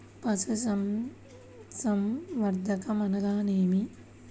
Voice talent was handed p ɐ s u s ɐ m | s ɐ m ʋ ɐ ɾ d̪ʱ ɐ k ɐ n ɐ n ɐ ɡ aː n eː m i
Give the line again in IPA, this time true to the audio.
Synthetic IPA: p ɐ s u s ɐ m | s ɐ m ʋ ɐ ɾ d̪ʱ ɐ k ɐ m ɐ n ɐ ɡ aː n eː m i